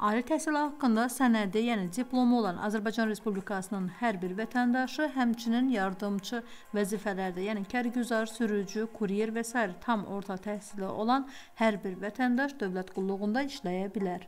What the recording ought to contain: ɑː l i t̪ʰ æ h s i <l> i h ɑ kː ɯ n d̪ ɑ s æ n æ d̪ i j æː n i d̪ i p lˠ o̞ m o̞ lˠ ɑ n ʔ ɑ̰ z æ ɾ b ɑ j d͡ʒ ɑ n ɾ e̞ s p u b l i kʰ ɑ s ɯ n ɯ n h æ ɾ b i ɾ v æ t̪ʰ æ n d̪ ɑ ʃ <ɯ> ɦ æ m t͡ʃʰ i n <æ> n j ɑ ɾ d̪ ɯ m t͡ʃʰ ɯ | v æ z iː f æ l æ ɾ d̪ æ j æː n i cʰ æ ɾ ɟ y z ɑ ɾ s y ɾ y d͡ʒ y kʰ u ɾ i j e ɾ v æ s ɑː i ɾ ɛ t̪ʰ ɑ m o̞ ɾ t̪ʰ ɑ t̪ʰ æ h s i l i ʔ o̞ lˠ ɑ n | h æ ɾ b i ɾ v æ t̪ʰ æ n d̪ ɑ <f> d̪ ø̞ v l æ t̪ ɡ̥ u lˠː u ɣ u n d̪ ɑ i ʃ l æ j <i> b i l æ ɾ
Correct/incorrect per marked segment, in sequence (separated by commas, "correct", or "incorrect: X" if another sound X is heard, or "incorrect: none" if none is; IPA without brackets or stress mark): correct, correct, incorrect: i, incorrect: ʃ, incorrect: æ